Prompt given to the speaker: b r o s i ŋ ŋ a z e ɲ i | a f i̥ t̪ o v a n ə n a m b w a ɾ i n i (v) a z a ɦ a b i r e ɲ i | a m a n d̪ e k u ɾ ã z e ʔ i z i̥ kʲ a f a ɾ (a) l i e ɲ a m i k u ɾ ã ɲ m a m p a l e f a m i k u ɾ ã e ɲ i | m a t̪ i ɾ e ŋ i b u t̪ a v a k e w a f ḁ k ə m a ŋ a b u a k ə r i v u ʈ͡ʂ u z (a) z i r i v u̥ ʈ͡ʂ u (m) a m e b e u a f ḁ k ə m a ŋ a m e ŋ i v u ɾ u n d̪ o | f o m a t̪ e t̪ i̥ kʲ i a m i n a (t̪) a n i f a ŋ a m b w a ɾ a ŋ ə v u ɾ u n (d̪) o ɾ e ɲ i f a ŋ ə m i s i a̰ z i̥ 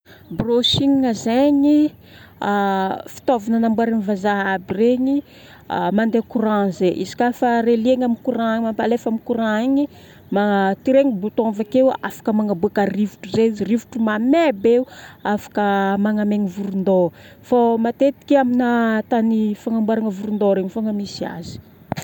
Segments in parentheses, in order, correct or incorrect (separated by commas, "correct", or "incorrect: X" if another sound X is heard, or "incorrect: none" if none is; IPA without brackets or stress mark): correct, incorrect: e, incorrect: e, correct, correct, correct